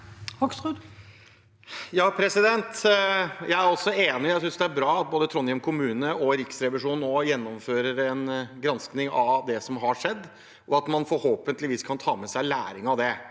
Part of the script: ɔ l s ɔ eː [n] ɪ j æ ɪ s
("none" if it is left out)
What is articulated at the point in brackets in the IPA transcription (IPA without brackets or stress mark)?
n